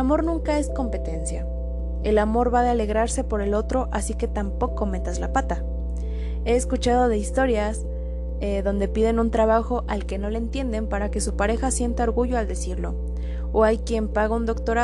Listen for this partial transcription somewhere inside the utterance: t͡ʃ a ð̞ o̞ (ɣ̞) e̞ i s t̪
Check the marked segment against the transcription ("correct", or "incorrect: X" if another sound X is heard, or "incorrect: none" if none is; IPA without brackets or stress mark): incorrect: ð̞